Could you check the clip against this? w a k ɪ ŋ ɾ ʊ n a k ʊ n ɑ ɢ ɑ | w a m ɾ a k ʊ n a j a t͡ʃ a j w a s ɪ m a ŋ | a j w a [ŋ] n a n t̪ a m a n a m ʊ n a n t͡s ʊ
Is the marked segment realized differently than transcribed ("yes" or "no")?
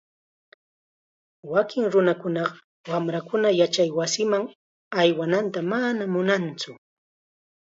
yes